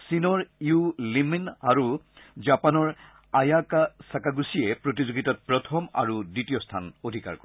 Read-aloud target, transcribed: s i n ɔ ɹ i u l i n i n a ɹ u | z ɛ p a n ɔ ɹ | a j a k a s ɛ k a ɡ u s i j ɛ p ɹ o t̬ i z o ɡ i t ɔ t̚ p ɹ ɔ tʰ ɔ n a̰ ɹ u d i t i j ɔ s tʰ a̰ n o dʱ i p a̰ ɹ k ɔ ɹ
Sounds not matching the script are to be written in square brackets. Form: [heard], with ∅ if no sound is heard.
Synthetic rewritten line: s i n ɔ ɹ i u l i [m] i n a ɹ u | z [a] p a n ɔ ɹ | a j a k a s [a] k a ɡ u s i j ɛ p ɹ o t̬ i z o ɡ i t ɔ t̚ p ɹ ɔ tʰ ɔ [m] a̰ ɹ u d i t i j ɔ s tʰ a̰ n o dʱ i [k] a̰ ɹ k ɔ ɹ

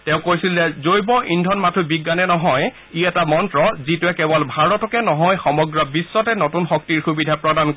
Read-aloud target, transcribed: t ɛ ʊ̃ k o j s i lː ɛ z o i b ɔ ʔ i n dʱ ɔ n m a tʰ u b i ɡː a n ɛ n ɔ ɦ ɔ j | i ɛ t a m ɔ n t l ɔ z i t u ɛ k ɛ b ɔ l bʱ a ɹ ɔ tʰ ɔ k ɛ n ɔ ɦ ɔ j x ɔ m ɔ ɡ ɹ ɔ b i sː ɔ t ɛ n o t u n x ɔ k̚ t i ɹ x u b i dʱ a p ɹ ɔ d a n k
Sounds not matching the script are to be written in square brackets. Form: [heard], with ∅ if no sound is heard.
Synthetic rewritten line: t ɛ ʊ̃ k o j s i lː ɛ z o [j] b ɔ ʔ i n dʱ ɔ n m a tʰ u b i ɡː a n ɛ n ɔ ɦ ɔ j | i ɛ t a m ɔ n t [ɹ] ɔ z i t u ɛ k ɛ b ɔ l bʱ a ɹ ɔ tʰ ɔ k ɛ n ɔ ɦ ɔ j x ɔ m ɔ ɡ ɹ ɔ b i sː ɔ t ɛ n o t u n x ɔ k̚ t i ɹ x u b i dʱ a p ɹ ɔ d a n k

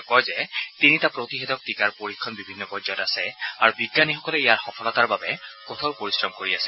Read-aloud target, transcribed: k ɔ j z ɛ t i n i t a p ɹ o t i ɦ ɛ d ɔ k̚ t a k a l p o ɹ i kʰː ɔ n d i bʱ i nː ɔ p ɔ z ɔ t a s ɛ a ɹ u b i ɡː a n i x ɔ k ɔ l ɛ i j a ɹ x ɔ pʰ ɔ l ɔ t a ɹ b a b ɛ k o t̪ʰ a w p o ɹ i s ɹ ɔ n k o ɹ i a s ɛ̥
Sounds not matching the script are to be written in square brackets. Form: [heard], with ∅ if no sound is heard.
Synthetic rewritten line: k ɔ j z ɛ t i n i t a p ɹ o t i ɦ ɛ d ɔ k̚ t [i] k a [ɹ] p o ɹ i kʰː ɔ n [b] i bʱ i nː ɔ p ɔ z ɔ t a s ɛ a ɹ u b i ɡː a n i x ɔ k ɔ l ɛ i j a ɹ x ɔ pʰ ɔ l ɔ t a ɹ b a b ɛ k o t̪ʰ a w p o ɹ i s ɹ ɔ [m] k o ɹ i a s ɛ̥

